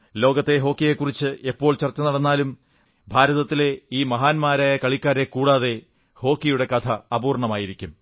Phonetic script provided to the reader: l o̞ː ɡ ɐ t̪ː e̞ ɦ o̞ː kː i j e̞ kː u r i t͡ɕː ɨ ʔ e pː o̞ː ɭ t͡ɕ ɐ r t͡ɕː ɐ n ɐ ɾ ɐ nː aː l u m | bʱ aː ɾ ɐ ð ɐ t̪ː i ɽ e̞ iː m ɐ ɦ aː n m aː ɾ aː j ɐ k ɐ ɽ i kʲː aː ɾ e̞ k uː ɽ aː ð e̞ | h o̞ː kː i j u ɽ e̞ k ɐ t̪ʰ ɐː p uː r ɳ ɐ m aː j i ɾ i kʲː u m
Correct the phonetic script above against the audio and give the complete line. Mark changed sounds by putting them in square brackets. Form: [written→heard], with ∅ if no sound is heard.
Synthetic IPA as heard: l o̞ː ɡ ɐ t̪ː e̞ ɦ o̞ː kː i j e̞ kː u r i t͡ɕː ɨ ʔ e pː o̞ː ɭ t͡ɕ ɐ r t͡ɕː ɐ n ɐ [ɾ→ɽ] ɐ nː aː l u m | bʱ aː ɾ ɐ ð ɐ t̪ː i [ɽ→l] e̞ iː m ɐ ɦ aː n m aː ɾ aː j ɐ k ɐ [ɽ→ɭ] i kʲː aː ɾ e̞ k uː ɽ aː ð e̞ | h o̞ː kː i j u ɽ e̞ k ɐ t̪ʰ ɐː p uː r ɳ ɐ m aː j i ɾ i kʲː u m